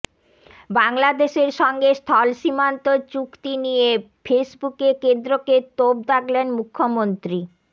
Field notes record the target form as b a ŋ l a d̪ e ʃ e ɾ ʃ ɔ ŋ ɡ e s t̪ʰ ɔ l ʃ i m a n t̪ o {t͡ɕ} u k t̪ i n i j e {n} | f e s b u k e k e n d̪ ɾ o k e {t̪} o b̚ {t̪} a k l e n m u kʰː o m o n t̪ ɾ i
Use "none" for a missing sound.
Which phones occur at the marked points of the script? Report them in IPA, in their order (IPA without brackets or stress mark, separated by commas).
t͡ɕ, none, t̪, d̪